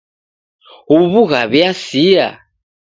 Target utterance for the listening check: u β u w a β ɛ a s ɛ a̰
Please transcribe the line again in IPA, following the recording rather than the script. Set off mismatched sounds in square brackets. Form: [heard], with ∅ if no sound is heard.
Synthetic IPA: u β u [ɣ] a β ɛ a s [i] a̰